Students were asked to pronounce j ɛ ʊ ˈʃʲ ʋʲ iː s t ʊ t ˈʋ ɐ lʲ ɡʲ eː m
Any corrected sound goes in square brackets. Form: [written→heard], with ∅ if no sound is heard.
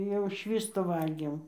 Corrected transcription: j ɛ ʊ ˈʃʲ ʋʲ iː s t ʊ [t→∅] ˈʋ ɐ lʲ ɡʲ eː m